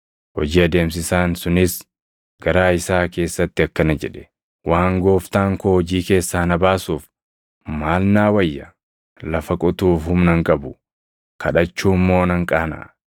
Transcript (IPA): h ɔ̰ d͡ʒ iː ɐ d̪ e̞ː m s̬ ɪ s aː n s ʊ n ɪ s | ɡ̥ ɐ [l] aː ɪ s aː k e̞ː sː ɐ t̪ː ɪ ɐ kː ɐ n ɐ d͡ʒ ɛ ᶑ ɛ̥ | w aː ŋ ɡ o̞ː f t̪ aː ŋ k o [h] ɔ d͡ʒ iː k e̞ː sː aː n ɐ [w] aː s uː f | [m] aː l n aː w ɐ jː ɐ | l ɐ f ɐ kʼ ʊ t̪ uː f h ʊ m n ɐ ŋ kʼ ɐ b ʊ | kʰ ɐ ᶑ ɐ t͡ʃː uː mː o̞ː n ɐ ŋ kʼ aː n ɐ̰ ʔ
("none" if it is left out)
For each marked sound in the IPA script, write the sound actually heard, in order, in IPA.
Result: ɾ, h, b, m

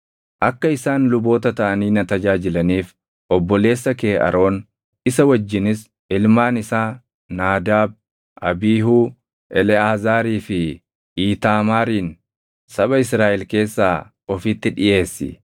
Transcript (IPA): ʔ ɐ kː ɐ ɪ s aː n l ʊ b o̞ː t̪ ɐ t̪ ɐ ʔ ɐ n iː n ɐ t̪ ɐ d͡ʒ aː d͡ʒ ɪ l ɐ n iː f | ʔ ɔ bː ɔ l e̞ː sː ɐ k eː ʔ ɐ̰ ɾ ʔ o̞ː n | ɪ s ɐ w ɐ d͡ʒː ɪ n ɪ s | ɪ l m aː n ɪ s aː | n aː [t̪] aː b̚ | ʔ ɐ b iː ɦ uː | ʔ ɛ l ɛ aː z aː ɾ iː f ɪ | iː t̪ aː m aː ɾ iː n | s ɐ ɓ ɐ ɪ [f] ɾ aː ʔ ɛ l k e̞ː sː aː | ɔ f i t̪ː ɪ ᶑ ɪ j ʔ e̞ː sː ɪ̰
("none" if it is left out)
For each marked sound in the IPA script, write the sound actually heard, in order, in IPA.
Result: d̪, s

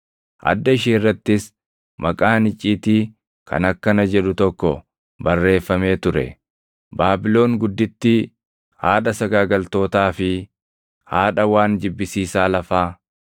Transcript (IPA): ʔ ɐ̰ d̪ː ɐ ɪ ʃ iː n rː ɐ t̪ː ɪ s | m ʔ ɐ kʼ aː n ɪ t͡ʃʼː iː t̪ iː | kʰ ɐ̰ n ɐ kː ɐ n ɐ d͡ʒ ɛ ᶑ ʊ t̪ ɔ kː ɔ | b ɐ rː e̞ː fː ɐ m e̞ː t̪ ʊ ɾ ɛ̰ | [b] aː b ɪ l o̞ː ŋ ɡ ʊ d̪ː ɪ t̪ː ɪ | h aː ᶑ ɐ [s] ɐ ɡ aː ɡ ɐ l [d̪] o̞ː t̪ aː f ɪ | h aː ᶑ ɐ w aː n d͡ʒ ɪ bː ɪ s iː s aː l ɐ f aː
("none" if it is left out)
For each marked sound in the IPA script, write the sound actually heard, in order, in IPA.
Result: b, s, t̪

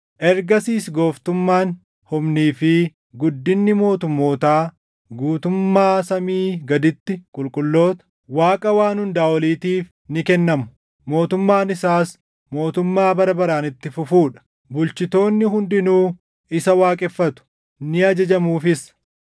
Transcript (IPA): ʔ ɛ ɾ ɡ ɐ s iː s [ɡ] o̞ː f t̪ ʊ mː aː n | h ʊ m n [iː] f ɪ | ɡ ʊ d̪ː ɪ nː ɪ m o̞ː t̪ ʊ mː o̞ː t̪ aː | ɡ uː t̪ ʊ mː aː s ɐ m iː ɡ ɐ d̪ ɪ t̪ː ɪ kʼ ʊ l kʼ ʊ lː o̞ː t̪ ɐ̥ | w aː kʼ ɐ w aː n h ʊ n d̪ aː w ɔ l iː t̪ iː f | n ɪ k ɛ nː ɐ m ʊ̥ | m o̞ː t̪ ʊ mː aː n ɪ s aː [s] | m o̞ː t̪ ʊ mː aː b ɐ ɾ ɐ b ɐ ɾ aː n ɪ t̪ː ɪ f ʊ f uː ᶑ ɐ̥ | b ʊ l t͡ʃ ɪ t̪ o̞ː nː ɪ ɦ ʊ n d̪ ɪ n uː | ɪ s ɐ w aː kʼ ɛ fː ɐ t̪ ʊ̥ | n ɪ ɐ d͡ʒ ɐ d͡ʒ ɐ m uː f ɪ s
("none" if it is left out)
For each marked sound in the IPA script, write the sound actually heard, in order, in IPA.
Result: ɡ, iː, s

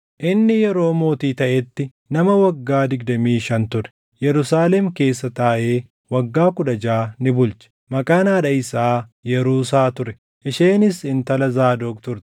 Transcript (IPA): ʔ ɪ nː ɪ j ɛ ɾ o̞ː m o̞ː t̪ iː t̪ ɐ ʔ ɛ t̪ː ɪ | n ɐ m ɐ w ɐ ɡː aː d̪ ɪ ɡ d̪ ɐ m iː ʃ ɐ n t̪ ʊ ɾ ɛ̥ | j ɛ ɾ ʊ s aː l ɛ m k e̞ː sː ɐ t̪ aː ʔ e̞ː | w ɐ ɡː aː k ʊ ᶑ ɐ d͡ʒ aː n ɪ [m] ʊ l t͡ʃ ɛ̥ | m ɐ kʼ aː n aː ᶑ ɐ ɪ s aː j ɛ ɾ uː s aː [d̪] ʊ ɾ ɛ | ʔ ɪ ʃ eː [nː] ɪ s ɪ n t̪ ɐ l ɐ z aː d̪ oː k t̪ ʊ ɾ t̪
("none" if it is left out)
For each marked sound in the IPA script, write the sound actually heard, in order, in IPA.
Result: b, t̪, n

